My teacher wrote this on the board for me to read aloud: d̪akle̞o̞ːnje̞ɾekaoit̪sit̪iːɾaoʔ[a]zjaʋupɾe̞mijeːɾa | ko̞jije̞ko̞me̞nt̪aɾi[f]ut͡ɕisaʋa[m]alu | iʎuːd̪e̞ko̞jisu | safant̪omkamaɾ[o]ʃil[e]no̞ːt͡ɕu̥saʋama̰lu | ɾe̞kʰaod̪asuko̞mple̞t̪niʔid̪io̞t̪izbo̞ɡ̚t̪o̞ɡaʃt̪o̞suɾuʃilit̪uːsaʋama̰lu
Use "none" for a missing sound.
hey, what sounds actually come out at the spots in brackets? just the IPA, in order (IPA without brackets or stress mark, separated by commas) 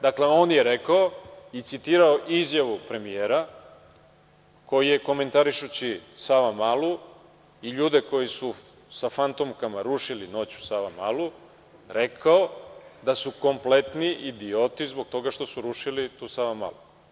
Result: i, ʃ, m, u, i